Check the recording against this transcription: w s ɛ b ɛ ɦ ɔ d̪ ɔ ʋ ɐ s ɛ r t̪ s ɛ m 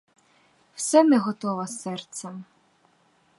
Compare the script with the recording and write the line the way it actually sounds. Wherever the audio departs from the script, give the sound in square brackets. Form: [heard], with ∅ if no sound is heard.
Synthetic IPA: w s ɛ [m] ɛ ɦ ɔ [t̪] ɔ ʋ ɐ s ɛ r t̪ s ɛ m

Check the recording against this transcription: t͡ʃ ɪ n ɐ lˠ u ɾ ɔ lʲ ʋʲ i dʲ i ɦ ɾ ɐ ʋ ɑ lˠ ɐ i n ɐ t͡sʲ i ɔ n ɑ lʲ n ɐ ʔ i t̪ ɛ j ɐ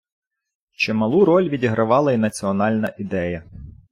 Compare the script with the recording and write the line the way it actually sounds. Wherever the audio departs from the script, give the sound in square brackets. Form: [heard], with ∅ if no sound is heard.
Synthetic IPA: t͡ʃ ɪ [m] ɐ lˠ u ɾ ɔ lʲ ʋʲ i dʲ i ɦ ɾ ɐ ʋ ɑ lˠ ɐ i n ɐ t͡sʲ i ɔ n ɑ lʲ n ɐ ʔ i [d̪] ɛ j ɐ

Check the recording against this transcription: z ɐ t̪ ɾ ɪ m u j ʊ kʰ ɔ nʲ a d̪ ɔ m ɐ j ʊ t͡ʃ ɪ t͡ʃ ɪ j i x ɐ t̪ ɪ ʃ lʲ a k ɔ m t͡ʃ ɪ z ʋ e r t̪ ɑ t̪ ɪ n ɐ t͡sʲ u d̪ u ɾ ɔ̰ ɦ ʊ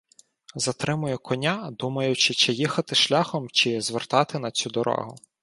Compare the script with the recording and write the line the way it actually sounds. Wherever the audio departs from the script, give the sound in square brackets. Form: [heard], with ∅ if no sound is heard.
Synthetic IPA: z ɐ t̪ ɾ ɪ m [ʊ] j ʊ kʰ ɔ nʲ a d̪ [u] m ɐ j ʊ t͡ʃ ɪ t͡ʃ ɪ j i x ɐ t̪ ɪ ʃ lʲ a [x] ɔ m t͡ʃ ɪ z ʋ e r t̪ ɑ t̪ ɪ n ɐ t͡sʲ u d̪ [ɔ] ɾ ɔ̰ ɦ ʊ

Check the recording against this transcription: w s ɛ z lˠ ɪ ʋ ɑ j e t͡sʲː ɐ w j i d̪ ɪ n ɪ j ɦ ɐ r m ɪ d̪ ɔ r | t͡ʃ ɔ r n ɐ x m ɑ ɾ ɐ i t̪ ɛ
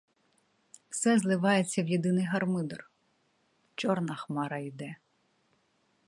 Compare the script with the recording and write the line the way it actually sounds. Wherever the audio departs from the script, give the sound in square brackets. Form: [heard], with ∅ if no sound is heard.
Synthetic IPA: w s ɛ z lˠ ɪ ʋ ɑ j e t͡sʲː ɐ w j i d̪ ɪ n ɪ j ɦ ɐ r m ɪ d̪ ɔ r | t͡ʃ ɔ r n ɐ x m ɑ ɾ ɐ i [d̪] ɛ

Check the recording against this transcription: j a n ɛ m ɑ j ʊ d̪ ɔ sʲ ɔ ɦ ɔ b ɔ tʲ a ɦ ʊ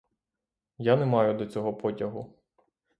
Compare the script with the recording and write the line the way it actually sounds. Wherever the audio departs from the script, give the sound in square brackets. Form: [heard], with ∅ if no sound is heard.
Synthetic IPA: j a n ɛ m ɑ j ʊ d̪ ɔ [t͡sʲ] ɔ ɦ ɔ [p] ɔ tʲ [ɐ] ɦ ʊ

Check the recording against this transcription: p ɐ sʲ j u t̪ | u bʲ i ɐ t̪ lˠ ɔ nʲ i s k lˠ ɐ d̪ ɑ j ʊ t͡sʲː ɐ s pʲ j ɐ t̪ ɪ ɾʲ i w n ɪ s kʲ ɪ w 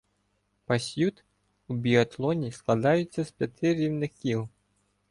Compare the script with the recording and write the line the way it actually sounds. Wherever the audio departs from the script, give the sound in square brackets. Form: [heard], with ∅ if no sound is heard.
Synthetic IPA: p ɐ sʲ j u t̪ | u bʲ i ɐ t̪ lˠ ɔ nʲ i s k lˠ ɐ d̪ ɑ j ʊ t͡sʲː ɐ s pʲ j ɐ t̪ ɪ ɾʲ i w n ɪ [x] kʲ [i] w

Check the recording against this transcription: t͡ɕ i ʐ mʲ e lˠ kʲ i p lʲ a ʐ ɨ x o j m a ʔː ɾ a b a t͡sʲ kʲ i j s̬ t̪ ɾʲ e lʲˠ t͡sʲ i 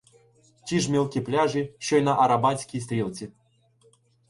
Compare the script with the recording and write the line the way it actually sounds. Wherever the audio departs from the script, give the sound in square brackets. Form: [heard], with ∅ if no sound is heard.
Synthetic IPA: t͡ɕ i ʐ mʲ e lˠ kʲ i p lʲ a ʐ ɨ [ɕ] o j [n] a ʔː ɾ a b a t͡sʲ kʲ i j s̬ t̪ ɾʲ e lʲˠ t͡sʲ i

